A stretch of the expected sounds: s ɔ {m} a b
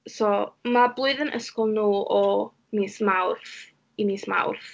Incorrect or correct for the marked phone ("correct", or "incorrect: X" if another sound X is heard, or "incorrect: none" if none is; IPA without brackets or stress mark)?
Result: correct